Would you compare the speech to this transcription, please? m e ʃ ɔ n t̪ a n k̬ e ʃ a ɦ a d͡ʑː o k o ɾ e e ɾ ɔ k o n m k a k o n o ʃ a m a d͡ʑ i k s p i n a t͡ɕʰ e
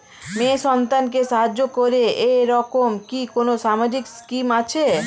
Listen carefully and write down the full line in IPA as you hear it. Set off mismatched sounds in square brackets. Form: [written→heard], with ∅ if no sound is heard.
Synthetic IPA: m e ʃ ɔ n t̪ a n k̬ e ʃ a ɦ a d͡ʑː o k o ɾ e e ɾ ɔ k o [n→∅] m k [a→i] k o n o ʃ a m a d͡ʑ i k s [p→k] i [n→m] a t͡ɕʰ e